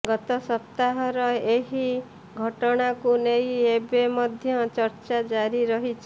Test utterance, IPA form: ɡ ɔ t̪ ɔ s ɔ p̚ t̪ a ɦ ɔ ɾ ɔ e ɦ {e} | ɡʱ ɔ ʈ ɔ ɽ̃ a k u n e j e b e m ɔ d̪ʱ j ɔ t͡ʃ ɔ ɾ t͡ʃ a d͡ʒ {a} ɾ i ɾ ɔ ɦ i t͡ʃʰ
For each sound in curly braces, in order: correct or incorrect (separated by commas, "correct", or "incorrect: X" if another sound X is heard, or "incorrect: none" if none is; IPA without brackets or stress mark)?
incorrect: i, correct